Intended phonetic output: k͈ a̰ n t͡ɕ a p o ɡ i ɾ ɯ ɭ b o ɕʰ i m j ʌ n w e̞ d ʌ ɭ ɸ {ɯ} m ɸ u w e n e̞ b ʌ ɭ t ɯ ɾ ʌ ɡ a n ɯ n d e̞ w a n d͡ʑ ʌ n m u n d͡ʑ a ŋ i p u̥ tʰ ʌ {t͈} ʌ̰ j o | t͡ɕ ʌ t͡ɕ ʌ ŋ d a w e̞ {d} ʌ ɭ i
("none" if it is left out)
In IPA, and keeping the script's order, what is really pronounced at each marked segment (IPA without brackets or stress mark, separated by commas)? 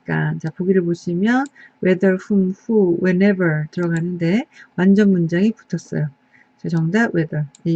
u, s͈, d